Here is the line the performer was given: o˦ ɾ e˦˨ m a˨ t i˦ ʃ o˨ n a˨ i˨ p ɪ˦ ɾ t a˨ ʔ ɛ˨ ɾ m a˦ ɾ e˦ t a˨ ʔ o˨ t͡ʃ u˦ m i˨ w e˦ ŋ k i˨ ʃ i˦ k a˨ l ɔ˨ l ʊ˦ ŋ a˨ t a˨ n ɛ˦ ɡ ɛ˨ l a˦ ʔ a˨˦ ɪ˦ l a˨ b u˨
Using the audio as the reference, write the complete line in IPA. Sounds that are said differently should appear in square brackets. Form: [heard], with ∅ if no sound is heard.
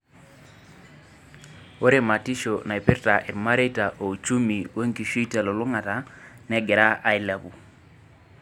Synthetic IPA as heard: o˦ ɾ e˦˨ m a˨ t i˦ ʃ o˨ n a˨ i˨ p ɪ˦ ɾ t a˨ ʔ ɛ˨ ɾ m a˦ ɾ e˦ t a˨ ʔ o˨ t͡ʃ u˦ m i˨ w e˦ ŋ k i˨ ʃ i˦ [t] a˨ l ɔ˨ l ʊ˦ ŋ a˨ t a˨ n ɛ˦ ɡ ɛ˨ [ɾ] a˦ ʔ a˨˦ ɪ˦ l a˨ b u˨